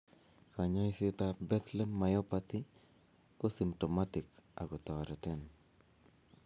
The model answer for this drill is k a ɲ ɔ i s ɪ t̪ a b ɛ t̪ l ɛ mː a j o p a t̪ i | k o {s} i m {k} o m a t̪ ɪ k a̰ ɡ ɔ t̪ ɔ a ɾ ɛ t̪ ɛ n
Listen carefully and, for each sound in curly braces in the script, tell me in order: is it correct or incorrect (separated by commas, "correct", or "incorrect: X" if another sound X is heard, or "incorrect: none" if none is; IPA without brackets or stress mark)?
correct, incorrect: t